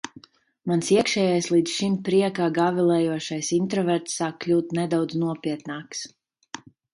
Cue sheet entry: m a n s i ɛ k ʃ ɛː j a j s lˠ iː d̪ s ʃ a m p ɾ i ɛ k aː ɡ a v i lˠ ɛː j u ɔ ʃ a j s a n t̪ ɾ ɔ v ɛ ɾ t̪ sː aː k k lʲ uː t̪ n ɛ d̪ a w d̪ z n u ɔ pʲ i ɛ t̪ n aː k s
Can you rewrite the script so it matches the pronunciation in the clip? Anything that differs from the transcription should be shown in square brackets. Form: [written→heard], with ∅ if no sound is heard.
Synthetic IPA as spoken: m a n s i ɛ k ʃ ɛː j a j s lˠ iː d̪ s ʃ [a→i] m p ɾ i ɛ k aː ɡ a v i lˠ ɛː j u ɔ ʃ a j s [a→i] n t̪ ɾ ɔ v ɛ ɾ t̪ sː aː k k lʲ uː t̪ n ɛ d̪ a w d̪ z n u ɔ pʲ i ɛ t̪ n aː k s

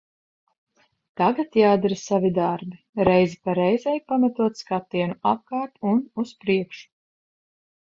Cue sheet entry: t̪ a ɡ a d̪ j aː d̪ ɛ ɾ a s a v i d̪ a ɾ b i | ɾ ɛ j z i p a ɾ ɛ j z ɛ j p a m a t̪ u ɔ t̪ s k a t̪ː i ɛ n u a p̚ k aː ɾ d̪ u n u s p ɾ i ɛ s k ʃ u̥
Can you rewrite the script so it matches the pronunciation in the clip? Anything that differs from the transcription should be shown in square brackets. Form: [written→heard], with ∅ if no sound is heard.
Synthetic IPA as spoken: t̪ a ɡ a [d̪→t̪] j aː d̪ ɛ ɾ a s a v i d̪ a ɾ b i | ɾ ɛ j z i p a ɾ ɛ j z ɛ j p a m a t̪ u ɔ t̪ s k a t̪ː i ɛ n u a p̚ k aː ɾ [d̪→t̪] u n u s p ɾ i ɛ [s→∅] k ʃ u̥

